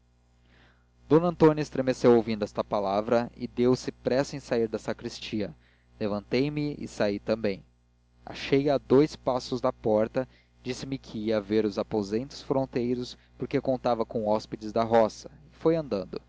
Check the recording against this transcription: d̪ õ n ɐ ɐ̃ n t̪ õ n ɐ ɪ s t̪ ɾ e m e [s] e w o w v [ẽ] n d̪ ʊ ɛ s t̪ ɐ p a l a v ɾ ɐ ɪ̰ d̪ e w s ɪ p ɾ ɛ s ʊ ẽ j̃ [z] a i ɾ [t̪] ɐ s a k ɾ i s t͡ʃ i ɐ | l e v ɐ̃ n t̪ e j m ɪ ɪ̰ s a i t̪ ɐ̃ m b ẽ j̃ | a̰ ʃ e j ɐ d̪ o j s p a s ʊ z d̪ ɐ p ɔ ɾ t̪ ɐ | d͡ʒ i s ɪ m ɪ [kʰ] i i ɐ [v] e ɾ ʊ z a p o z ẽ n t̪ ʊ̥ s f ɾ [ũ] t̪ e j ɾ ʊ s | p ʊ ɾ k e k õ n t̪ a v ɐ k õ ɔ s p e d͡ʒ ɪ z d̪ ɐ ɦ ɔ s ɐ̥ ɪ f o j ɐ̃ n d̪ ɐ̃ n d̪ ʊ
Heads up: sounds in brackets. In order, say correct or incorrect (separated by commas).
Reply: correct, incorrect, incorrect, incorrect, correct, correct, incorrect